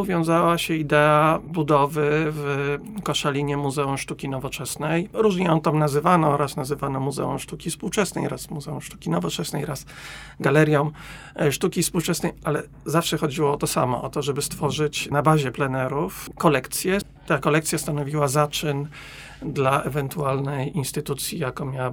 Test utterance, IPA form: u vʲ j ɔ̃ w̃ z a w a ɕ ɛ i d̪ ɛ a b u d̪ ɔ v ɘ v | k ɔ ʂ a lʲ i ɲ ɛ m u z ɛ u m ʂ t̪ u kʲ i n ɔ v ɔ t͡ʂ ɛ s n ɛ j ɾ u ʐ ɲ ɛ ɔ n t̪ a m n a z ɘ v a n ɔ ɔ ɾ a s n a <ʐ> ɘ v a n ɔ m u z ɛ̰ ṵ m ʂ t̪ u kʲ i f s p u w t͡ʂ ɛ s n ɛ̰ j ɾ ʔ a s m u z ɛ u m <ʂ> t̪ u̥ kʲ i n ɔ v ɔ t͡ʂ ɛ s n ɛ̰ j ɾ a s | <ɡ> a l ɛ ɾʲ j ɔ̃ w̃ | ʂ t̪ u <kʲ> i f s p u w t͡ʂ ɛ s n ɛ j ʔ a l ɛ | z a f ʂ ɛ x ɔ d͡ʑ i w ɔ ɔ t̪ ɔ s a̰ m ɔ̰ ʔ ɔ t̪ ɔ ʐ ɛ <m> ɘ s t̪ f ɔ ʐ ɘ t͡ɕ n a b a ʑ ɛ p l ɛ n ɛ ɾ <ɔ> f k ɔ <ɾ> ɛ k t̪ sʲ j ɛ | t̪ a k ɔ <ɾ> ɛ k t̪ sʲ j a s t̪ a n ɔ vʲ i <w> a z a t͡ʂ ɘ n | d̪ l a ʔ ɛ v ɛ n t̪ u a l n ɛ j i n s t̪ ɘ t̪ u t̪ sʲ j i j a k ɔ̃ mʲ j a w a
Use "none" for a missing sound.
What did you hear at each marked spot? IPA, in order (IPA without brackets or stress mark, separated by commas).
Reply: z, ʂ, ɡ, kʲ, b, u, l, l, w